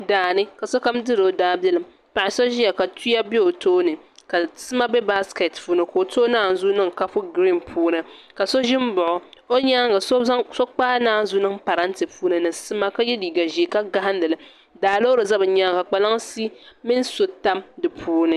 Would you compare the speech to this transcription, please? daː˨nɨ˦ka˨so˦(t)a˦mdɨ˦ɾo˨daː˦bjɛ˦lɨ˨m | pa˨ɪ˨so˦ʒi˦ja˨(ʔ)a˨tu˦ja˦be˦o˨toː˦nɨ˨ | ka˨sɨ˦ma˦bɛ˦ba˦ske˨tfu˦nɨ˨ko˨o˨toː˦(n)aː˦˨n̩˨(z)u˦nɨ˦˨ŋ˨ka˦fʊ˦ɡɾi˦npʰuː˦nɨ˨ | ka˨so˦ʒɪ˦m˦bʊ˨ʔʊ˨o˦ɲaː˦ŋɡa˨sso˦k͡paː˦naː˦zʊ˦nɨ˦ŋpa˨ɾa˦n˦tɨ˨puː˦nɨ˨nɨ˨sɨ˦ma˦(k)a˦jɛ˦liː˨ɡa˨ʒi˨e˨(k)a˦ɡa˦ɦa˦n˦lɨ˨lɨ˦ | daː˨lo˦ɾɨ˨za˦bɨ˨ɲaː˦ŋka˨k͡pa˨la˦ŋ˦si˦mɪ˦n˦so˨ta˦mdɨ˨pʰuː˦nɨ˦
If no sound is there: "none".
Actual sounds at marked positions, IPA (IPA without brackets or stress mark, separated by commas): k, k, n, z, k, k